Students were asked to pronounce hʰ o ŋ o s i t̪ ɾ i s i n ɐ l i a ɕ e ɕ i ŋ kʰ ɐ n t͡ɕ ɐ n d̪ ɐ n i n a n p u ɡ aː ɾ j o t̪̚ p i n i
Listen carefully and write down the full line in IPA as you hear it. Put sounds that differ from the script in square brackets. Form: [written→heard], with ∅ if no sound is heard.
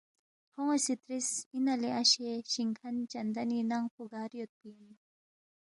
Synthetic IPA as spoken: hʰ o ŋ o s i t̪ ɾ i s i n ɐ l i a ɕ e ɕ i ŋ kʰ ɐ n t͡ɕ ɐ n d̪ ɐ n i n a [n→ŋ] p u ɡ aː ɾ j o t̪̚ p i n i